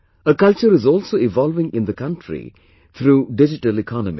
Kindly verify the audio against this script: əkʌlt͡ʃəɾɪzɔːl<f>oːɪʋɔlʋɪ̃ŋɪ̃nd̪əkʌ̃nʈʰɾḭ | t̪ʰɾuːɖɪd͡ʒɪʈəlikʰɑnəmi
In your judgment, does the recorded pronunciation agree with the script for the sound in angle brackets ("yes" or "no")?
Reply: no